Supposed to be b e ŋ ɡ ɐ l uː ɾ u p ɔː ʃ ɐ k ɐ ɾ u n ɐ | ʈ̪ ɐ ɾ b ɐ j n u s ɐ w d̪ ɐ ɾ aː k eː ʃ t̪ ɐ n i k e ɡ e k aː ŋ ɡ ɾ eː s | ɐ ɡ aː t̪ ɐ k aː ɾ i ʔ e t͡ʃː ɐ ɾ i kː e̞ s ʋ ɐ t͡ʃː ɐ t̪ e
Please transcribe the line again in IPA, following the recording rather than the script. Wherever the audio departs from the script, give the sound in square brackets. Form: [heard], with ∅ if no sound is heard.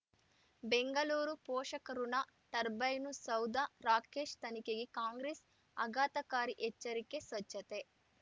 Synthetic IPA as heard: b e ŋ ɡ ɐ l uː ɾ u p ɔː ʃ ɐ k ɐ ɾ u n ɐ | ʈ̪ ɐ ɾ b ɐ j n u s ɐ w d̪ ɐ ɾ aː k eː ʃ t̪ ɐ n i k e ɡ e k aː ŋ ɡ ɾ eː s | ɐ ɡ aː t̪ ɐ k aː ɾ i ʔ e t͡ʃː ɐ ɾ i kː e̞ s ʋ ɐ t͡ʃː ɐ t̪ e

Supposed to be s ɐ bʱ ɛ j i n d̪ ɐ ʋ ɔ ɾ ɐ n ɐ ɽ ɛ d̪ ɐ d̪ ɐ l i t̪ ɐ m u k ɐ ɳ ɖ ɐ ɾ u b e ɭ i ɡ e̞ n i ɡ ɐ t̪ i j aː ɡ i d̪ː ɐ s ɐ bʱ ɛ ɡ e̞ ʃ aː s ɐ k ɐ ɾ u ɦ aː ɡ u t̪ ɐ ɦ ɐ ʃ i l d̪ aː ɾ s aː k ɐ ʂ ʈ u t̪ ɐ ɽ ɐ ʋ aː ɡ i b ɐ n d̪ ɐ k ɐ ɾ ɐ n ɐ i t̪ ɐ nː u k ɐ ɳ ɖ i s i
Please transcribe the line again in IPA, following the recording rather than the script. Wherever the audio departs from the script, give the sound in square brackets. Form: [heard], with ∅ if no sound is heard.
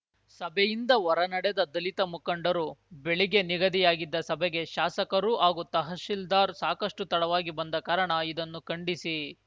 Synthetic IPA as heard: s ɐ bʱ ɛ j i n d̪ ɐ ʋ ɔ ɾ ɐ n ɐ ɽ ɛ d̪ ɐ d̪ ɐ l i t̪ ɐ m u k ɐ ɳ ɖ ɐ ɾ u b e ɭ i ɡ e̞ n i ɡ ɐ [d̪] i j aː ɡ i d̪ː ɐ s ɐ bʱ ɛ ɡ e̞ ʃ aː s ɐ k ɐ ɾ u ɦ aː ɡ u t̪ ɐ ɦ ɐ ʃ i l d̪ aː ɾ s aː k ɐ ʂ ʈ u t̪ ɐ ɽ ɐ ʋ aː ɡ i b ɐ n d̪ ɐ k ɐ ɾ ɐ [ɳ] ɐ i [d̪] ɐ nː u k ɐ ɳ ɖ i s i

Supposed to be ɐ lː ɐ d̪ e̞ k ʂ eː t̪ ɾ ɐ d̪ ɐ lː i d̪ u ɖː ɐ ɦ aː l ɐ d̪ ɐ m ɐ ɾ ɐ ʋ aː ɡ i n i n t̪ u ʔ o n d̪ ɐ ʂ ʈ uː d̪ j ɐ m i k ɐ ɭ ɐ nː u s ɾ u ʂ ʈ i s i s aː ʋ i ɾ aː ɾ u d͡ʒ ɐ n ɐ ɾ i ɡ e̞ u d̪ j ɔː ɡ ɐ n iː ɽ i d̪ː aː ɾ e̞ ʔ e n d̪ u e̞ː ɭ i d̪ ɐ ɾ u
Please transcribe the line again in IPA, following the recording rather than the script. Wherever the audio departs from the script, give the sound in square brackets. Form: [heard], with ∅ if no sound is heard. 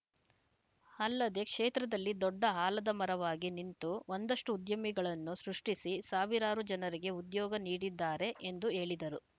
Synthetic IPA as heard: ɐ lː ɐ d̪ e̞ k ʂ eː t̪ ɾ ɐ d̪ ɐ lː i d̪ [ɔ] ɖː ɐ ɦ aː l ɐ d̪ ɐ m ɐ ɾ ɐ ʋ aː ɡ i n i n t̪ u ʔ o n d̪ ɐ ʂ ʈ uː d̪ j ɐ m i [ɡ] ɐ ɭ ɐ nː u s ɾ u ʂ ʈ i s i s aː ʋ i ɾ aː ɾ u d͡ʒ ɐ n ɐ ɾ i ɡ e̞ u d̪ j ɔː ɡ ɐ n iː ɽ i d̪ː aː ɾ e̞ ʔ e n d̪ u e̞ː ɭ i d̪ ɐ ɾ u

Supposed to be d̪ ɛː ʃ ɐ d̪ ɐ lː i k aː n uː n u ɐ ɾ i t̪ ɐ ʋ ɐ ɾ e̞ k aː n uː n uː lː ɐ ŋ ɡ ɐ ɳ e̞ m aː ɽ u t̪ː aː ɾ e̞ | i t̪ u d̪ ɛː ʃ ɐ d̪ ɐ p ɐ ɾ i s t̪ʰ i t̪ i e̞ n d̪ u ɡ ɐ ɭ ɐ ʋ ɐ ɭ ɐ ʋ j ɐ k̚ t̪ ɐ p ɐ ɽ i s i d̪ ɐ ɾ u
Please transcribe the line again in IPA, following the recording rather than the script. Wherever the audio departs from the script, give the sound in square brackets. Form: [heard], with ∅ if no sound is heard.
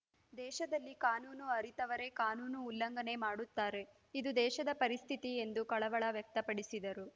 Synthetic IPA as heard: d̪ ɛː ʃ ɐ d̪ ɐ lː i k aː n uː n u ɐ ɾ i t̪ ɐ ʋ ɐ ɾ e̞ k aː n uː n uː lː ɐ ŋ ɡ ɐ [n] e̞ m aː ɽ u t̪ː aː ɾ e̞ | i [d̪] u d̪ ɛː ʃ ɐ d̪ ɐ p ɐ ɾ i s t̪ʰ i t̪ i e̞ n d̪ u [k] ɐ ɭ ɐ ʋ ɐ ɭ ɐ ʋ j ɐ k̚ t̪ ɐ p ɐ ɽ i s i d̪ ɐ ɾ u

